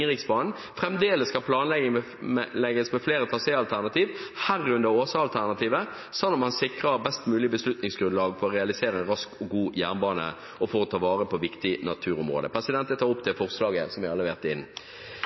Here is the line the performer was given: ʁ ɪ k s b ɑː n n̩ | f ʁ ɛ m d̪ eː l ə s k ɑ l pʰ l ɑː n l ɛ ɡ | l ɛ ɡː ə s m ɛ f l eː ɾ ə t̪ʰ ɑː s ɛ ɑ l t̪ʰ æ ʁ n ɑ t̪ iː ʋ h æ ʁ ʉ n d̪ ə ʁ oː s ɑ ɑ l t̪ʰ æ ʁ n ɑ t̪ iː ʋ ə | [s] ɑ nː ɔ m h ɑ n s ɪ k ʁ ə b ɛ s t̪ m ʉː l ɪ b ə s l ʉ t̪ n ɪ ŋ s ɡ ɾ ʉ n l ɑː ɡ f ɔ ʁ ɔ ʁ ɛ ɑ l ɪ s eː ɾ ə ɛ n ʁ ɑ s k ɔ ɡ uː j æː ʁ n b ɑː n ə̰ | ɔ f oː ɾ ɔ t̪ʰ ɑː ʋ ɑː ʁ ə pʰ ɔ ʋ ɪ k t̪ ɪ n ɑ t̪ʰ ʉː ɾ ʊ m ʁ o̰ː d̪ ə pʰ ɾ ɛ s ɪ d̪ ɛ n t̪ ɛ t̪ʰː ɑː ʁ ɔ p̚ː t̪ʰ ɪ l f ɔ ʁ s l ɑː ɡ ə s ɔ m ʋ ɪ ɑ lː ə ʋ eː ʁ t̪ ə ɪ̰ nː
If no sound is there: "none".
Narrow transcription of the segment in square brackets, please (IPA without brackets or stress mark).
s